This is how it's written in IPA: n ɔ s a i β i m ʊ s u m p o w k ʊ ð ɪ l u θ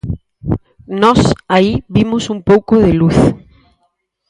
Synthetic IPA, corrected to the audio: n ɔ s a i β i m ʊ s u m p o w k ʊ ð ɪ l u θ